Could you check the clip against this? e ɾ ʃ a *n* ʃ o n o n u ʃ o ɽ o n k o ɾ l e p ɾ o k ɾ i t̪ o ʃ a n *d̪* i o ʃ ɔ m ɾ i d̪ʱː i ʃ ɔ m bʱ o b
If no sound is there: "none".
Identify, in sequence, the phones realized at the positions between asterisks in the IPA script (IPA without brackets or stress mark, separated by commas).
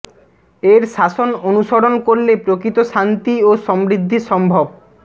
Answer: none, t̪